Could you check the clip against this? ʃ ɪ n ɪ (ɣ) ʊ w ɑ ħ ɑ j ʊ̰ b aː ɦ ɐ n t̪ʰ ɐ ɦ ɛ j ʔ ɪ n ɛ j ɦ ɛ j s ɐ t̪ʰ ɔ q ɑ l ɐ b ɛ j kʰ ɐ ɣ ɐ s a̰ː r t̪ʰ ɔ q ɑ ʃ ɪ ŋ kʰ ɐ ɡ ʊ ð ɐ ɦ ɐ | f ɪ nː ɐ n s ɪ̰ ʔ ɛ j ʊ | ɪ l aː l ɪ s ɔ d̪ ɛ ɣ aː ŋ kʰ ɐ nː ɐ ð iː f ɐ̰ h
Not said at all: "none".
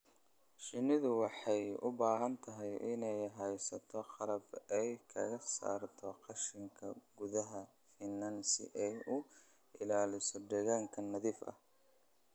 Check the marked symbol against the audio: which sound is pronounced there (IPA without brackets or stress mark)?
ð